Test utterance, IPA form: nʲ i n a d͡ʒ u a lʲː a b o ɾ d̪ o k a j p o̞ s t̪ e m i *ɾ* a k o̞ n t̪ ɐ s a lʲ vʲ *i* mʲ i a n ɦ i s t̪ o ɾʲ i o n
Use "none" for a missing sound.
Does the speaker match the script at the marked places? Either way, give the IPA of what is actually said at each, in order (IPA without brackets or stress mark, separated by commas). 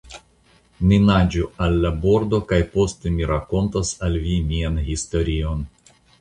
ɾ, i